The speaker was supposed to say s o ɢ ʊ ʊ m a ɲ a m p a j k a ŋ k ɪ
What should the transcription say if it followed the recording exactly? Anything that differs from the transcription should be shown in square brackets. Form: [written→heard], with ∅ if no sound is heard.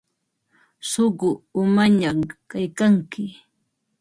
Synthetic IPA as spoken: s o ɢ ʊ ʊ m a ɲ a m [p→k] a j k a ŋ k ɪ